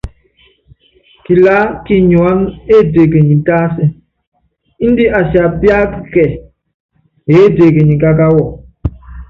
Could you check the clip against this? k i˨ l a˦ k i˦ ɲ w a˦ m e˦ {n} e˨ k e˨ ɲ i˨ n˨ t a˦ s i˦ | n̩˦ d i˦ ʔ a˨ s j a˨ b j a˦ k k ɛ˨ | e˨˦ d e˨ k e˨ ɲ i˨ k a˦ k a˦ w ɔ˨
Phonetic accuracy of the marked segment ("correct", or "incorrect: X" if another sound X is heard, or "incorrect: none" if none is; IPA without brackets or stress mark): incorrect: d